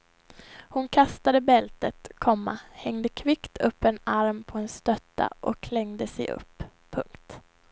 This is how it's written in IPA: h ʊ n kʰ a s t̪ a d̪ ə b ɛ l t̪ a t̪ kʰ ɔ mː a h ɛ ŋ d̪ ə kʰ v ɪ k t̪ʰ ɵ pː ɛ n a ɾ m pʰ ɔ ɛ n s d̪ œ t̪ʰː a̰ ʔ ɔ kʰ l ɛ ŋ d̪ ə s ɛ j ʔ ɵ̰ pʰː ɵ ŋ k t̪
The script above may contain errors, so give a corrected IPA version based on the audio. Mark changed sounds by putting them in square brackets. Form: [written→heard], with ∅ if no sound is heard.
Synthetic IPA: h ʊ n kʰ a s t̪ a d̪ ə b ɛ l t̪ [a→ə] t̪ kʰ ɔ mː a h ɛ ŋ d̪ ə kʰ v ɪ k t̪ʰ ɵ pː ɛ n a ɾ m pʰ ɔ ɛ n s [d̪→t̪] œ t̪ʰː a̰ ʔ ɔ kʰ l ɛ ŋ d̪ ə s ɛ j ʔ ɵ̰ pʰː ɵ ŋ k t̪